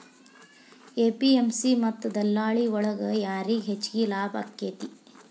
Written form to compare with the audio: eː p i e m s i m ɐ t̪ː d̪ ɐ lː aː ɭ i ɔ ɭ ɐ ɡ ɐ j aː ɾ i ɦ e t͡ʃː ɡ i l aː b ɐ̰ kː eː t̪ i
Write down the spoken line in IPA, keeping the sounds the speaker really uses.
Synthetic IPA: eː p i e m s i m ɐ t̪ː d̪ ɐ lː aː ɭ i ɔ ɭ ɐ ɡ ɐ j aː ɾ i ɦ e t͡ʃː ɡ i l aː b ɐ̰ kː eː t̪ i